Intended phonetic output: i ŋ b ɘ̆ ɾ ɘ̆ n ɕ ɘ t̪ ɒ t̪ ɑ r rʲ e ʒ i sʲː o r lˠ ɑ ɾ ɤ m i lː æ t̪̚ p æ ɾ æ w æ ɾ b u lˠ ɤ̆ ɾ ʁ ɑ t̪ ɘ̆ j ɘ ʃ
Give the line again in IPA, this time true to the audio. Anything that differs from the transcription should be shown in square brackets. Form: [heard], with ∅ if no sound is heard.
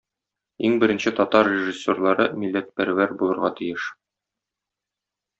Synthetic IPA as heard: i ŋ b ɘ̆ ɾ ɘ̆ n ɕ ɘ t̪ ɒ t̪ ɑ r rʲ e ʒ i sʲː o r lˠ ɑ ɾ ɤ m i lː æ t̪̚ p æ ɾ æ w æ ɾ b u lˠ ɤ̆ ɾ ʁ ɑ t̪ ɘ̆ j ɘ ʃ